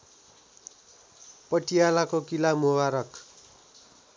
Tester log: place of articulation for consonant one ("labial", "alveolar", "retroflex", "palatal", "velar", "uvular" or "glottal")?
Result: labial